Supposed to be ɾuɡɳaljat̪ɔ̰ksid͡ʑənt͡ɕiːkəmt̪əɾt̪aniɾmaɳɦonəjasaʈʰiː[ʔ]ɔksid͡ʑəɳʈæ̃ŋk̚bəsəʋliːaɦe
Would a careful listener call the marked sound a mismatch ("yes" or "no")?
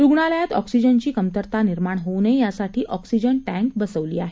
no